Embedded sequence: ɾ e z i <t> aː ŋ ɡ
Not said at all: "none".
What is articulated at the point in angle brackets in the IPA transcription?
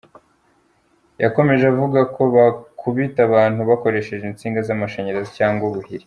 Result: c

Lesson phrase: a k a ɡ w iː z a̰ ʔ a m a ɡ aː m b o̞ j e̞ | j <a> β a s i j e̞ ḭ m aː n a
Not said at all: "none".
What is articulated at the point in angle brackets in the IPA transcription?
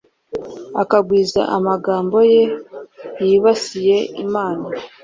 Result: i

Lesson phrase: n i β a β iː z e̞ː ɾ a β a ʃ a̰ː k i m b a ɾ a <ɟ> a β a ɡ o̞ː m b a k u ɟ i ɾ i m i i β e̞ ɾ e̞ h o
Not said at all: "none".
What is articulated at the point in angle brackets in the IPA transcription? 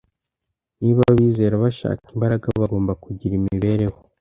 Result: ɡ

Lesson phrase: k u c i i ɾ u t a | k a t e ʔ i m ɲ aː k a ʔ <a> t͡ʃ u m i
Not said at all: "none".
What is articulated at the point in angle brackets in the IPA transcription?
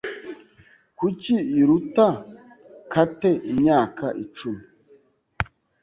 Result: i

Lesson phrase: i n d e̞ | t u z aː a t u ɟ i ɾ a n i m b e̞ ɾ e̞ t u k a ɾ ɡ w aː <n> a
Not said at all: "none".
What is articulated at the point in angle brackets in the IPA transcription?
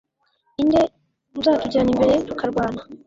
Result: n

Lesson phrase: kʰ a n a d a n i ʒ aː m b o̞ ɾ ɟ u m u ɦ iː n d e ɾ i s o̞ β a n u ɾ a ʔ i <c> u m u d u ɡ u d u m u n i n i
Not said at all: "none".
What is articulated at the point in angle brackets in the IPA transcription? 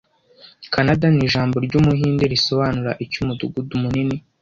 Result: c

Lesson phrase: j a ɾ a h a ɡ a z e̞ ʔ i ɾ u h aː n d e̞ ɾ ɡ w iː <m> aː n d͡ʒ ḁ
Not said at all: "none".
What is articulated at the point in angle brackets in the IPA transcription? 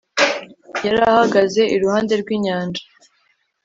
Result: ɲ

